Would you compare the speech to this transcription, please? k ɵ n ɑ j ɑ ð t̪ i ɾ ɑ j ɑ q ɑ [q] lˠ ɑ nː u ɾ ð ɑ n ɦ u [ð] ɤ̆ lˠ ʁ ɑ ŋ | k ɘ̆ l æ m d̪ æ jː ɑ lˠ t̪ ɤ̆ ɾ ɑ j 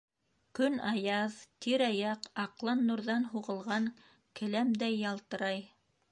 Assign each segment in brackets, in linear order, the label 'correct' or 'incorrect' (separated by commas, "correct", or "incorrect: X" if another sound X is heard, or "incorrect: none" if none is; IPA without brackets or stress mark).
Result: correct, incorrect: ʁ